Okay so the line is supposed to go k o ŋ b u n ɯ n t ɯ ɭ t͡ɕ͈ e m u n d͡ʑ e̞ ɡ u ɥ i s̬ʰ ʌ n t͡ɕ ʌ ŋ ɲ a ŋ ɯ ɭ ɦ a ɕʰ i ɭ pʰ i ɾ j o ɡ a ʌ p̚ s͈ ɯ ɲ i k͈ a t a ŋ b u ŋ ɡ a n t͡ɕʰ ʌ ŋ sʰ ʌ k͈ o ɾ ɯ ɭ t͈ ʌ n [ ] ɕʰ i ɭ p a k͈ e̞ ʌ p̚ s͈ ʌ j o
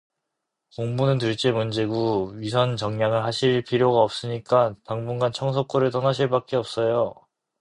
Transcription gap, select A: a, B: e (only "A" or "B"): A